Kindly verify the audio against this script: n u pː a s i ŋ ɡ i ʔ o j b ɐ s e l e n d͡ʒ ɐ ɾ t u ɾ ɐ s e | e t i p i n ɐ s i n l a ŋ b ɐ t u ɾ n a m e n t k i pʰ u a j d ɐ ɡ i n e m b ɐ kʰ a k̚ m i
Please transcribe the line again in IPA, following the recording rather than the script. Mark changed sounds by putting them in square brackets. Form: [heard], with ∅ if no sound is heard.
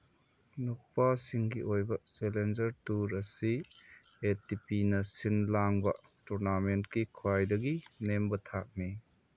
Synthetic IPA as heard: n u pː a s i ŋ ɡ i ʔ o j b ɐ s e l e n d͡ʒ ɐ ɾ t u ɾ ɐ s [i] | e t i p i n ɐ s i n l a ŋ b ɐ t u ɾ n a m e n t k i [kʰ] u a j d ɐ ɡ i n e m b ɐ [tʰ] a k̚ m i